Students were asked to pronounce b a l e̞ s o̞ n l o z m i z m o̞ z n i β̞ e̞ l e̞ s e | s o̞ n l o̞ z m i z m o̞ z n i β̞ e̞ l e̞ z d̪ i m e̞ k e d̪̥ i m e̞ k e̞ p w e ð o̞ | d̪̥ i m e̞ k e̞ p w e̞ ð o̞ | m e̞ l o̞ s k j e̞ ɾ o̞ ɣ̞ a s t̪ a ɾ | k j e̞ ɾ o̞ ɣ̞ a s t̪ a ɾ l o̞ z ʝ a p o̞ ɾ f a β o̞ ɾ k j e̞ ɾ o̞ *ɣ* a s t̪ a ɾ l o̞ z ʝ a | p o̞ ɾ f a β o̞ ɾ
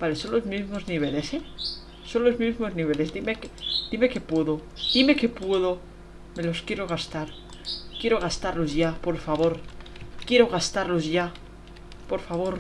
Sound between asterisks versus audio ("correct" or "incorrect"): correct